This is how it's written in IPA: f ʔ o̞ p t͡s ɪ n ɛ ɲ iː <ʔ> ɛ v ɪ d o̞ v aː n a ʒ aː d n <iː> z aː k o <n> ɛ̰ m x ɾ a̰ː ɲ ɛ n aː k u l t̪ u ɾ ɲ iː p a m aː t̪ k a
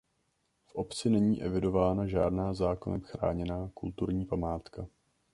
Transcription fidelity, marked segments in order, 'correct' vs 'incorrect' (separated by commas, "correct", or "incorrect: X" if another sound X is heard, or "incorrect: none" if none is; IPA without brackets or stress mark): correct, incorrect: aː, correct